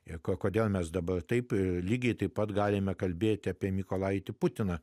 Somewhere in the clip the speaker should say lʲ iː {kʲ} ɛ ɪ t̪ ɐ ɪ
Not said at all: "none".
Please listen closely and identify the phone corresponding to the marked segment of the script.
ɡʲ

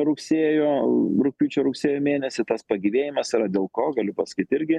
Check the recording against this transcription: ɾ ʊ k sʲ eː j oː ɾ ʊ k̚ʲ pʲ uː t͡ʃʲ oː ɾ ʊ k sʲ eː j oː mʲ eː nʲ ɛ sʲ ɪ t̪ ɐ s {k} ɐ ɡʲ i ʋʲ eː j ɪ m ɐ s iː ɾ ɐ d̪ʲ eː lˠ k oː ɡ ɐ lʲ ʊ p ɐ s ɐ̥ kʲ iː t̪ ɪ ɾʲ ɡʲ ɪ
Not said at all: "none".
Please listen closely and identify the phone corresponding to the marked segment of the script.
p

